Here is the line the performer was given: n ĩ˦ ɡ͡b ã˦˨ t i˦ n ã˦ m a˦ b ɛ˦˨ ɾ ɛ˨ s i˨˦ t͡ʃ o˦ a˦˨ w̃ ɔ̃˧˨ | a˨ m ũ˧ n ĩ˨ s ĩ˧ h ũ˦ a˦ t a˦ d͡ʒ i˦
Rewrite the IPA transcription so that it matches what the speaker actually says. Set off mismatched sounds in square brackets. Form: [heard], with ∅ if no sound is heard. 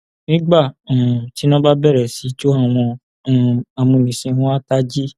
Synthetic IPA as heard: n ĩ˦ ɡ͡b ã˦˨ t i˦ n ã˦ [b] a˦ b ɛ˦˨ ɾ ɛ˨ s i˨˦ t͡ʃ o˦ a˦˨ w̃ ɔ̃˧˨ | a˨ m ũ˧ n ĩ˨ s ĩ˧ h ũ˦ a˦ t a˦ d͡ʒ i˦